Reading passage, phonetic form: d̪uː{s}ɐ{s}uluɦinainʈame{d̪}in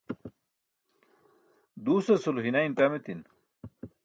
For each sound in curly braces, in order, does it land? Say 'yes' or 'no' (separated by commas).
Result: yes, yes, no